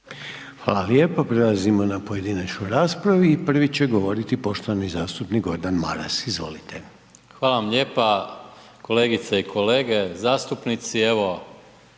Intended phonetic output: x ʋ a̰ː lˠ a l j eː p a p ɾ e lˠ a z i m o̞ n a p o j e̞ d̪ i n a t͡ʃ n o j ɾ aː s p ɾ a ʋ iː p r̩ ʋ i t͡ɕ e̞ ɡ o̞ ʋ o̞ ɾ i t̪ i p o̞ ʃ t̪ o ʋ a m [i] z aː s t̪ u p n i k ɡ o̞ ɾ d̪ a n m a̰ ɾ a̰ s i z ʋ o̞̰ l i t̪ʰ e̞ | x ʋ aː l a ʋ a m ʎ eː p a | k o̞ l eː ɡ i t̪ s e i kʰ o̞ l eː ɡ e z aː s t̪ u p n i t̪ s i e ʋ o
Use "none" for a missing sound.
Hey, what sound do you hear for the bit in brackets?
i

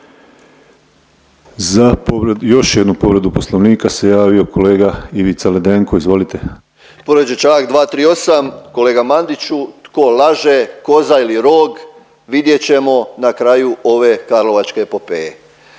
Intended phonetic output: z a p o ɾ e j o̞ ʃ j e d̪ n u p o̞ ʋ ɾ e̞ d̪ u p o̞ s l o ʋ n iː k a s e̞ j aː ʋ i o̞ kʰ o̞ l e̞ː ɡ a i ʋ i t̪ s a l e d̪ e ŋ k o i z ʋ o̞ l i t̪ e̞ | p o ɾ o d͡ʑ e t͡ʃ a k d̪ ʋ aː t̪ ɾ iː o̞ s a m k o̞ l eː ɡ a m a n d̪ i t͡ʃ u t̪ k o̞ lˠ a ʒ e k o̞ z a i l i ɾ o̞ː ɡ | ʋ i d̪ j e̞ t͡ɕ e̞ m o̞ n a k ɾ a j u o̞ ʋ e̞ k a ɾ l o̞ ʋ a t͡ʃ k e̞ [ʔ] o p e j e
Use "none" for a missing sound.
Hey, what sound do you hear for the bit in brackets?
p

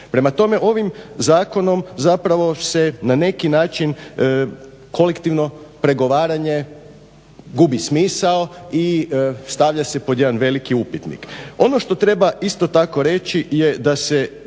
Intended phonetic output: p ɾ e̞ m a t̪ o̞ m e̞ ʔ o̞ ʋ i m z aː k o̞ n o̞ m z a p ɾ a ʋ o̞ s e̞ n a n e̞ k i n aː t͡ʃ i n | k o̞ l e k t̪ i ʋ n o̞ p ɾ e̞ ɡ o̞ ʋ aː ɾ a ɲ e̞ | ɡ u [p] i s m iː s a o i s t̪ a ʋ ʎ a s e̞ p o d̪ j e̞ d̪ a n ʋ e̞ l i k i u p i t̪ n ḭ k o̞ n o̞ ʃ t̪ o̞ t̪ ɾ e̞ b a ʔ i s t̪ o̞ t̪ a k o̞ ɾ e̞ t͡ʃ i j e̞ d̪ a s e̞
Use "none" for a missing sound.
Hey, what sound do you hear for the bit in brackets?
b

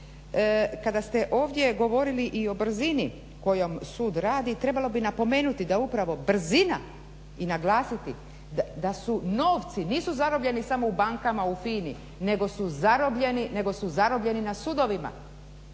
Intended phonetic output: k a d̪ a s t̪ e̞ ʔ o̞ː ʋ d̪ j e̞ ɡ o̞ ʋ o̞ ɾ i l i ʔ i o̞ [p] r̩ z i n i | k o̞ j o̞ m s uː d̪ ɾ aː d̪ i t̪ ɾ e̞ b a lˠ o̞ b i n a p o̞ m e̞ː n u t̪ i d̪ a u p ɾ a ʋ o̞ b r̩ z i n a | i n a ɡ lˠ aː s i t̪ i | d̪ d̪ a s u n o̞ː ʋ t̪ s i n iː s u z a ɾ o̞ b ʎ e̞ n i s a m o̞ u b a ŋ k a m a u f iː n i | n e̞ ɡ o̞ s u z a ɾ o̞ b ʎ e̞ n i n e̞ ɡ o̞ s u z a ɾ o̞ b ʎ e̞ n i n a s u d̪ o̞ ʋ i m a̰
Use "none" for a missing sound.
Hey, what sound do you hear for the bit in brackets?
b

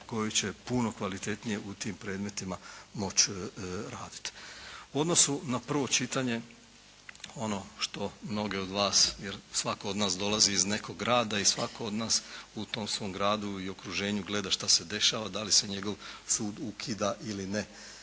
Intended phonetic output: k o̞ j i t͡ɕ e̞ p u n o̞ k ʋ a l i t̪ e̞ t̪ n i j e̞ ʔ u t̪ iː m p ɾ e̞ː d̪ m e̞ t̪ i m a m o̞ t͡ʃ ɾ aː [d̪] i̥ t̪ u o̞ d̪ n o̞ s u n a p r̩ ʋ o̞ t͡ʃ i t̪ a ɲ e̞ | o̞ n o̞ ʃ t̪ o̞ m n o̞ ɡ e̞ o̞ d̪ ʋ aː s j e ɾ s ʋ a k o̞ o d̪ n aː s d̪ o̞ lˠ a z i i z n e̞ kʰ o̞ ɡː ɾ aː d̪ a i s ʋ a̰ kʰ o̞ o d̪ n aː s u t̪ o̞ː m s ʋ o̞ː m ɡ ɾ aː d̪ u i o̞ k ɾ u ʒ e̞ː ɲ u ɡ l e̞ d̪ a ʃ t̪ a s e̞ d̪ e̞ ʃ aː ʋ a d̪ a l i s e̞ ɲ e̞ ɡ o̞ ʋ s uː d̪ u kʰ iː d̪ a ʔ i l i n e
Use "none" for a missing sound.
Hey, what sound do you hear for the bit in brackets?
d̪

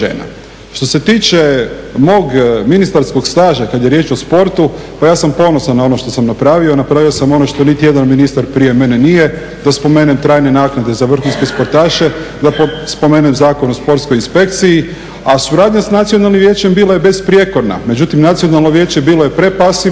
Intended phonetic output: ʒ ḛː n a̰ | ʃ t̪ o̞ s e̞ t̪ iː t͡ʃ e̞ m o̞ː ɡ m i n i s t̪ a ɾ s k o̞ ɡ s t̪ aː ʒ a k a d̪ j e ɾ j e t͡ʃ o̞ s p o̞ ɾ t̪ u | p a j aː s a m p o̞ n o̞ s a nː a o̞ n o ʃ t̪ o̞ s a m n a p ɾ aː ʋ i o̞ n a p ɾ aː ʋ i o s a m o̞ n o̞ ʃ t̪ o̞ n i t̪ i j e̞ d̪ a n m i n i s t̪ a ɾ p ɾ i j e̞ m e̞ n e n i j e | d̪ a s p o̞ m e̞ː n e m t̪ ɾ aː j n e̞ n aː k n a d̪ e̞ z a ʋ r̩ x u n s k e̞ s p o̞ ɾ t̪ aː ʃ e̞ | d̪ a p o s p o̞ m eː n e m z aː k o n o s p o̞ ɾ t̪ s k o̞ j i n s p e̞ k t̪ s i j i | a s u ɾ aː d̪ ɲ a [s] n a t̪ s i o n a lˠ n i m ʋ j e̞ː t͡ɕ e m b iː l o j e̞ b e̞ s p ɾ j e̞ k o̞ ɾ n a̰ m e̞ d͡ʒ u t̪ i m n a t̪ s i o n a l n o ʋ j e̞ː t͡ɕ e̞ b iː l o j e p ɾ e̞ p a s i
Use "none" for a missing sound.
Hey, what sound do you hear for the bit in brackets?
s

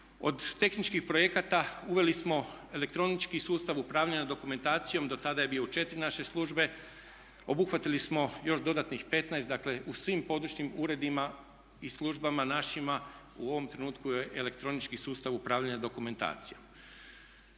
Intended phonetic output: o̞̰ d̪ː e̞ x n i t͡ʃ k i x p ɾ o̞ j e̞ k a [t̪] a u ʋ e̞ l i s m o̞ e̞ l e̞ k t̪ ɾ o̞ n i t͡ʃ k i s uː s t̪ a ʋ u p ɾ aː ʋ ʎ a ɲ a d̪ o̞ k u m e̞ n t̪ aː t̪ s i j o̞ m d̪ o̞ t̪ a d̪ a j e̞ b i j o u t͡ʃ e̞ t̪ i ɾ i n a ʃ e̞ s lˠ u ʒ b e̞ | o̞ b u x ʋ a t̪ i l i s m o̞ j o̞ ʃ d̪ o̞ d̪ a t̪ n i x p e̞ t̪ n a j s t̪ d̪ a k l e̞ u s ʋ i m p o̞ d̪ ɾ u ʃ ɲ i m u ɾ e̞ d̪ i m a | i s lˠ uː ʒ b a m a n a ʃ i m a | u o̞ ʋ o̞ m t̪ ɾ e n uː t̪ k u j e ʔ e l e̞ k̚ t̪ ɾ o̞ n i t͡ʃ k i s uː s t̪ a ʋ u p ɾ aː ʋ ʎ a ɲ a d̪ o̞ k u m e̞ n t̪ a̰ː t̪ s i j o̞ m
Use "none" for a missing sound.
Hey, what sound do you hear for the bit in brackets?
t̪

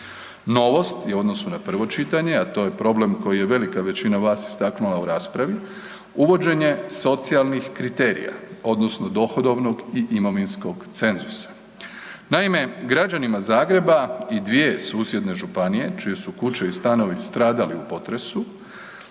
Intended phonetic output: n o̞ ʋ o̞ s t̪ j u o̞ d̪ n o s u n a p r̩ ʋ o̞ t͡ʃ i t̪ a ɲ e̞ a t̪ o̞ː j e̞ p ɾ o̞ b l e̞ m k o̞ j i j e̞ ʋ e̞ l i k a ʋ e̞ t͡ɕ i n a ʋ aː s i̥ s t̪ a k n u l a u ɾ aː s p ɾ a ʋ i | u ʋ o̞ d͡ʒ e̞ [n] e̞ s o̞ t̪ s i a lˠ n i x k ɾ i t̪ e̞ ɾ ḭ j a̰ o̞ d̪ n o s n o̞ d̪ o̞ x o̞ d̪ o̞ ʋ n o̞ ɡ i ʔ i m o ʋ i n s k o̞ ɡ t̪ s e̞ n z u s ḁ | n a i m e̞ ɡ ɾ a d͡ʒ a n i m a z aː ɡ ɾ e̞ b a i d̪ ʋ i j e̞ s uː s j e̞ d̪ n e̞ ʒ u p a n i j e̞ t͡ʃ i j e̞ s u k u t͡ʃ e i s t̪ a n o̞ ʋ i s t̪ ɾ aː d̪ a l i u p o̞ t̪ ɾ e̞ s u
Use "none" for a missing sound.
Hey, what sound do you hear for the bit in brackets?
ɲ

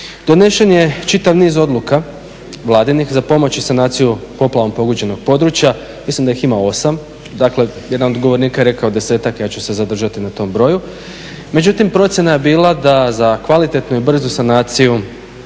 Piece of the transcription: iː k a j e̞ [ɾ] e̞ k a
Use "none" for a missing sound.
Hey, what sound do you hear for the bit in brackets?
ɾ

